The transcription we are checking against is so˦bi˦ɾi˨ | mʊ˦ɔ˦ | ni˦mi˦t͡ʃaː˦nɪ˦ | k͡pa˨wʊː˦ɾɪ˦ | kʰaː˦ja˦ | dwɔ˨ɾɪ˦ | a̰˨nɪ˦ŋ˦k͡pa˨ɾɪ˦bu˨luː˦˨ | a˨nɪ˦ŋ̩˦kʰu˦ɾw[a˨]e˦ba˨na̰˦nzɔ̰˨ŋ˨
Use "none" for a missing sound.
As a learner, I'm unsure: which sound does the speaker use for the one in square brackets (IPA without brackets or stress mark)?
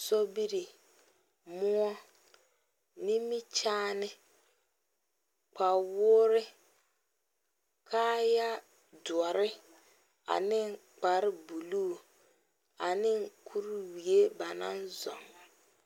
i˨